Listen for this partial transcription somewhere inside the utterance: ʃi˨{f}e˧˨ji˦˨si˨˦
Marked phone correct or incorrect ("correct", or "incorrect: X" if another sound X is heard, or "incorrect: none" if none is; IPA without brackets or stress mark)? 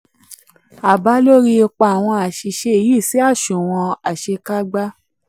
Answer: incorrect: ʃ